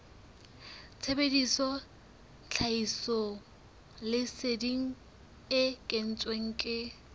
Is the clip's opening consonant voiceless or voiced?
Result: voiceless